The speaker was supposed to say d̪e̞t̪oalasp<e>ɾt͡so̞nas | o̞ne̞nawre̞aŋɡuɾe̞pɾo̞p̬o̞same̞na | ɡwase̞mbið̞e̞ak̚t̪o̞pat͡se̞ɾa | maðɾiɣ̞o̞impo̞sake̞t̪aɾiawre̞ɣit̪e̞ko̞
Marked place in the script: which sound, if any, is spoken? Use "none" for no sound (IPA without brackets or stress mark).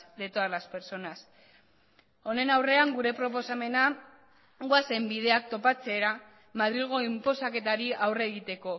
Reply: e